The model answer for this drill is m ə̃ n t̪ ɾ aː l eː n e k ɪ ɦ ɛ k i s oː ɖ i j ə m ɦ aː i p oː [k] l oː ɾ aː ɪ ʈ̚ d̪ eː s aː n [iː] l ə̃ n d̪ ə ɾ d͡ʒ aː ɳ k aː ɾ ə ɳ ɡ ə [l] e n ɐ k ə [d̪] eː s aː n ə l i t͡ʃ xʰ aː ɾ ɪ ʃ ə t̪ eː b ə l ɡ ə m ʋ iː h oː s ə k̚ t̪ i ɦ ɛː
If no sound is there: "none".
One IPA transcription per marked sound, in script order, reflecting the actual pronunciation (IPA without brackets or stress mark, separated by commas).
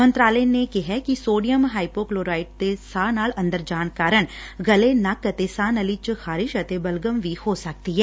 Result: k, aː, l, t̪